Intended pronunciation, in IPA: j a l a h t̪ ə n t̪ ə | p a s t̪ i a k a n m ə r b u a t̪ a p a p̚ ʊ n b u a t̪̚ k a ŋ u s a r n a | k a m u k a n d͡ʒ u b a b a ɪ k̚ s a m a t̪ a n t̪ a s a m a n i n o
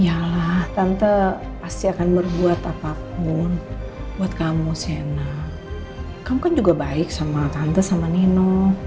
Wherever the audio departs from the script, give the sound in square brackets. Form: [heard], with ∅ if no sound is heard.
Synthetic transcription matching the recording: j a l a h t̪ [a] n t̪ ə | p a s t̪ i a k a n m ə r b u a t̪ a p a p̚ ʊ n b u a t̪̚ k a [m] u s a [∅] n a | k a m u k a n d͡ʒ u [ɡ] a b a ɪ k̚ s a m a t̪ a n t̪ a s a m a n i n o